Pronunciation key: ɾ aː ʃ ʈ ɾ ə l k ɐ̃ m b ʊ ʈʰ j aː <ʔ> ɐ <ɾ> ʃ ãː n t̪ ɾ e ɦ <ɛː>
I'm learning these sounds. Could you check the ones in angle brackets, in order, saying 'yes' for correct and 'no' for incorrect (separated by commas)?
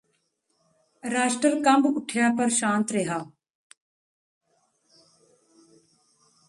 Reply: no, yes, no